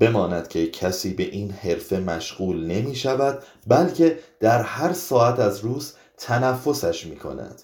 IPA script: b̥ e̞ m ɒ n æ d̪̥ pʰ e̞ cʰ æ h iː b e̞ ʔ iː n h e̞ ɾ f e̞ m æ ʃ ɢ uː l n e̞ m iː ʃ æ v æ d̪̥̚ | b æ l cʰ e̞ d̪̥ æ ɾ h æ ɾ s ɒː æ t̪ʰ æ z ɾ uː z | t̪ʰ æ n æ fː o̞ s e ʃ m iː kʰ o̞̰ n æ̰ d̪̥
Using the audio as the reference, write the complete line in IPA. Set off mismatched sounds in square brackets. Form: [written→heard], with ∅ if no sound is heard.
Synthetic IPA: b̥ e̞ m [ɒ→ɒː] n æ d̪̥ [pʰ→cʰ] e̞ cʰ æ [h→s] iː b e̞ ʔ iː n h e̞ ɾ f e̞ m æ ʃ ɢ uː l n e̞ m iː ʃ æ v æ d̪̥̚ | b æ l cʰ e̞ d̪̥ æ ɾ h æ ɾ s ɒː æ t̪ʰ æ z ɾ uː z | t̪ʰ æ n æ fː o̞ s [e→æ] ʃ m iː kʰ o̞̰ n æ̰ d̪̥